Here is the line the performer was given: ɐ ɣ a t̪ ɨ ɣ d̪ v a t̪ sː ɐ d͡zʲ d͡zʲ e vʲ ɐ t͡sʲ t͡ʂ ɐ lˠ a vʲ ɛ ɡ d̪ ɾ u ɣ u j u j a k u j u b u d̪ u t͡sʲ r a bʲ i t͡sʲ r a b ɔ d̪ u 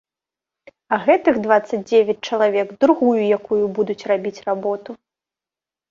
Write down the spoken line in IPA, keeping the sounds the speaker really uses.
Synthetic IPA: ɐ ɣ ɛ t̪ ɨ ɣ d̪ v a t̪ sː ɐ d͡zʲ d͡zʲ e vʲ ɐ t͡sʲ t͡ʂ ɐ lˠ a vʲ ɛ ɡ d̪ ɾ u ɣ u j u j a k u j u b u d̪ u t͡sʲ r a bʲ i t͡sʲ r a b ɔ t̪ u